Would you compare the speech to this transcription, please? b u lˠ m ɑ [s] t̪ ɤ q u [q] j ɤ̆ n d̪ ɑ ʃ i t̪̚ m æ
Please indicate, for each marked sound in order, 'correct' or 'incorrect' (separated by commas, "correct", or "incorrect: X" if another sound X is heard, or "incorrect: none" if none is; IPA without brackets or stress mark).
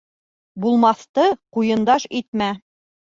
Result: incorrect: θ, incorrect: none